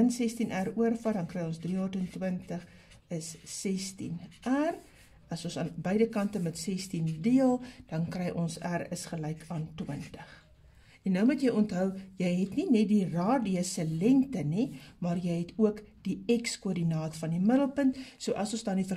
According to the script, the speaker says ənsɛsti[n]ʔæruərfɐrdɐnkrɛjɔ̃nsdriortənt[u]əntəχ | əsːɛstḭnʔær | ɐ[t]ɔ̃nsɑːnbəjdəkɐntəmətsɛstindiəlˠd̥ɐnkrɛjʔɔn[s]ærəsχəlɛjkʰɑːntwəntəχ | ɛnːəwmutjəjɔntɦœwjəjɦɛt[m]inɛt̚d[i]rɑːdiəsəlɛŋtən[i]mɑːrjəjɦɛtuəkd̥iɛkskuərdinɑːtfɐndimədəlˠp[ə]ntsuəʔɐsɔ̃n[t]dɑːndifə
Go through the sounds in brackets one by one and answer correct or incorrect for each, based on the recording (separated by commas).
correct, incorrect, incorrect, correct, incorrect, correct, correct, correct, incorrect